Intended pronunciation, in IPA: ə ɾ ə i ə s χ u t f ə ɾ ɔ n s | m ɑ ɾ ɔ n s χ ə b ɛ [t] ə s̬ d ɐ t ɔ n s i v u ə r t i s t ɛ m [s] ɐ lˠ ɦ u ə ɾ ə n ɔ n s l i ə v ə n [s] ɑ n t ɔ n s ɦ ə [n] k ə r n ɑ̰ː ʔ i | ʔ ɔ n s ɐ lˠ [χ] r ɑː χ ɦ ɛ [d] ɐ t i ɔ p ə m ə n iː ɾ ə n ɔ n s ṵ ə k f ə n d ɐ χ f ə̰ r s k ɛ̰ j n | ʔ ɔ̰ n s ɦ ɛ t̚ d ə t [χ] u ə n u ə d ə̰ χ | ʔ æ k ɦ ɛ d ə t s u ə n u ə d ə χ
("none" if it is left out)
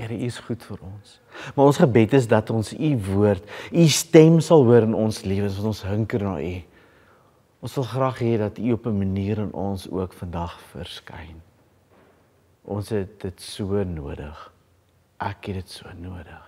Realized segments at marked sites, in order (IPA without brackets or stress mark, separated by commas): t, s, s, ŋ, χ, d, s